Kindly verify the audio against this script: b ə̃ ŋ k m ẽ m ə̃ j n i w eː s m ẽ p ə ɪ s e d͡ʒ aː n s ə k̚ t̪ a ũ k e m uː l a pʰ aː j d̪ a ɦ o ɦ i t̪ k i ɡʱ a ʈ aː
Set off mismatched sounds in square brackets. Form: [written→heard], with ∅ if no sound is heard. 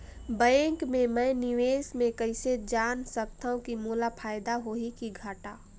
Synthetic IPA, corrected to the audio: b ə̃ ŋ k m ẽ m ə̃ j n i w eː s m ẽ [p→k] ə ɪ s e d͡ʒ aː n s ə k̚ t̪ a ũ k [e→i] m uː l a pʰ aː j d̪ a ɦ o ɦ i [t̪→∅] k i ɡʱ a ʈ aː